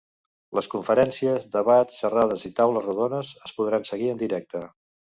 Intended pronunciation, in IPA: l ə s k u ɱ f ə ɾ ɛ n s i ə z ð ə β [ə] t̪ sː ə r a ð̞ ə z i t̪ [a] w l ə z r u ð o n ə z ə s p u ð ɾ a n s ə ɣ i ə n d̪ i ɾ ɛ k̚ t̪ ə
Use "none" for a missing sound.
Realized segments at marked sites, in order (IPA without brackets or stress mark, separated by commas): a, a